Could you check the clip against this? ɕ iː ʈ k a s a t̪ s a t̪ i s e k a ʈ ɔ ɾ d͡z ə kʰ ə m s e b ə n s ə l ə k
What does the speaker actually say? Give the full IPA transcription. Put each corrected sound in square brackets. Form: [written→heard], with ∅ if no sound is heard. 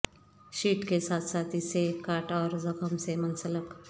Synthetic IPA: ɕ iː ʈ k [a→e] s a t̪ s a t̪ i s e k a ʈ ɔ ɾ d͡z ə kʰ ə m s e [b→m] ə n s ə l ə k